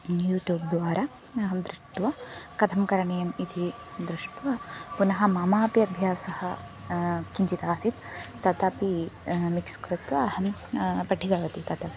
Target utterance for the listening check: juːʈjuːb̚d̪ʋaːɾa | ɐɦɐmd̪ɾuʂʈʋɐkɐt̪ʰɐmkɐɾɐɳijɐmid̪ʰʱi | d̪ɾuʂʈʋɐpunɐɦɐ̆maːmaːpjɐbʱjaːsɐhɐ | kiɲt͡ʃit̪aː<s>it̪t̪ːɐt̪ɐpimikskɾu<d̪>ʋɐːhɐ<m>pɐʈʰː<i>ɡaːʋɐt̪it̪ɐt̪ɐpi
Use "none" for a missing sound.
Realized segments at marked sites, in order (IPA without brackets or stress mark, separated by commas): s, t̪, m, i